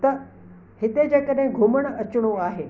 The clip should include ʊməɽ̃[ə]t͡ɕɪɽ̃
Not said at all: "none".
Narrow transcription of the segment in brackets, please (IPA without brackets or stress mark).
ɐ